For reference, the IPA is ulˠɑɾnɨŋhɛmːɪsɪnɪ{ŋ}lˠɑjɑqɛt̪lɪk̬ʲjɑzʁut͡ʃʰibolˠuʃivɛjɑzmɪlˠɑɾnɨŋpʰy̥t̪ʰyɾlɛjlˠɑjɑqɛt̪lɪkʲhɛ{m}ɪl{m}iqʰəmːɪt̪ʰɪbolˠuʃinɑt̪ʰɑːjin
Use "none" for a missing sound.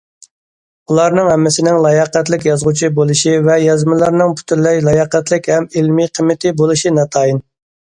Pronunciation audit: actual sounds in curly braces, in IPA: ŋ, m, m

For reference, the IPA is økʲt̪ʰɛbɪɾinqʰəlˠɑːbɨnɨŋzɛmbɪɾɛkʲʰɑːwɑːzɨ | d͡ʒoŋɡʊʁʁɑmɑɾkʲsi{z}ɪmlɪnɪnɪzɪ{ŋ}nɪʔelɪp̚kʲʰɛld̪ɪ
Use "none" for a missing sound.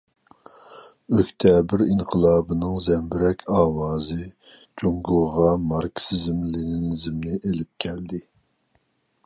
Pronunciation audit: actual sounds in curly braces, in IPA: z, m

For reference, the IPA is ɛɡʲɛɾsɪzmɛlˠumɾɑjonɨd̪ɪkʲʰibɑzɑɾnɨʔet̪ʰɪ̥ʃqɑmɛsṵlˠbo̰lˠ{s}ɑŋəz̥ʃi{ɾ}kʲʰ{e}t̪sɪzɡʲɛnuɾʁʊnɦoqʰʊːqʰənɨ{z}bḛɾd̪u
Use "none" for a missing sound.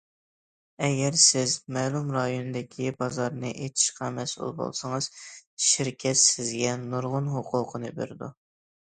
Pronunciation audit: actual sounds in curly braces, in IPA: s, ɾ, ɛ, none

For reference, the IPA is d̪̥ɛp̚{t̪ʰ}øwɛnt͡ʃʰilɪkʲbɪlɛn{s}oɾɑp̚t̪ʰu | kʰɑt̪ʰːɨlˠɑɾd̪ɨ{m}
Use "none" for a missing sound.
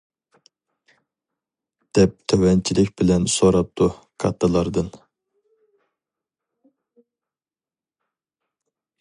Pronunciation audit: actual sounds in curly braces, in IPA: t̪ʰ, s, n

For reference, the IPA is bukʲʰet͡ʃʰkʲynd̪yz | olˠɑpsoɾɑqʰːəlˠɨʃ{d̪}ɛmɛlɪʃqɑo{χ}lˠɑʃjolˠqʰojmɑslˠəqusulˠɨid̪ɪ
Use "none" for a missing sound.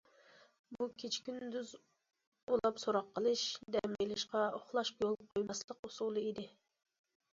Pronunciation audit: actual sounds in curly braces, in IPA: d̪, χ

